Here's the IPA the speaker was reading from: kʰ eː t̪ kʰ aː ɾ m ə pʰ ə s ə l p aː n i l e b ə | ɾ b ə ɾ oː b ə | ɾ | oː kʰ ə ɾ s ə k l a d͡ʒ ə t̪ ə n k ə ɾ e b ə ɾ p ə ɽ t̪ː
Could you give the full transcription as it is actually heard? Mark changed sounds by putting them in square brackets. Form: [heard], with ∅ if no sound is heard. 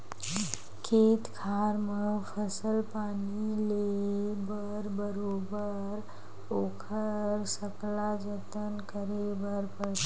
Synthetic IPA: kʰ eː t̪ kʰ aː ɾ m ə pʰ ə s ə l p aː n i l e b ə | ɾ b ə ɾ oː b ə | ɾ | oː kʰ ə ɾ s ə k l a d͡ʒ ə t̪ ə n k ə ɾ e b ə ɾ p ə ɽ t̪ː